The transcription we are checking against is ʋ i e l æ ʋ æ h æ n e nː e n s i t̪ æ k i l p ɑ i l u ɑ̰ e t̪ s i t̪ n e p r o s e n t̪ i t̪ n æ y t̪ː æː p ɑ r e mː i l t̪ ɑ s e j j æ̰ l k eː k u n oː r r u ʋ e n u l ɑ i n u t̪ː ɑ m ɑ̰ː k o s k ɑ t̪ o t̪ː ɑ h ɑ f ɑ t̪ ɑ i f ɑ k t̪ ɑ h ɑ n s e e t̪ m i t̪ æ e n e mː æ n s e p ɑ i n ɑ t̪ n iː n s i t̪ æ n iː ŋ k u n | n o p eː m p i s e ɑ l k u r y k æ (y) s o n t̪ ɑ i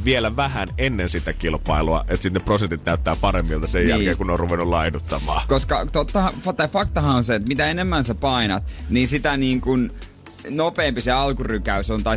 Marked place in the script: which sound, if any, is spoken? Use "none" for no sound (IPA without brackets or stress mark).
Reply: y